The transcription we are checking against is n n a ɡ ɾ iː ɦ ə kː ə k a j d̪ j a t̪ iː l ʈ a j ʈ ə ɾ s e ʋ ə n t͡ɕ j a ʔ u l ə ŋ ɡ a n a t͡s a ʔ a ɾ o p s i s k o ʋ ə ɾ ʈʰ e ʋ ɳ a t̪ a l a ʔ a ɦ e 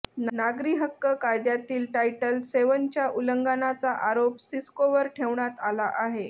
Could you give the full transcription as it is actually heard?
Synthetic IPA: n n a ɡ ɾ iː ɦ ə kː ə k a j d̪ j a t̪ iː l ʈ a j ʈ ə l s e ʋ ə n t͡ɕ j a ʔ u l ə ŋ ɡ a n a t͡s a ʔ a ɾ o p s i s k o ʋ ə ɾ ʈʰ e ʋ ɳ a t̪ a l a ʔ a ɦ e